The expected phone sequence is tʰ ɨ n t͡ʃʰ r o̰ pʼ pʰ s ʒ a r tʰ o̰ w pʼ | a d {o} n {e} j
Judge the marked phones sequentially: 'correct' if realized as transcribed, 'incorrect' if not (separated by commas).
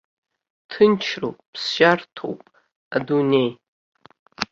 incorrect, correct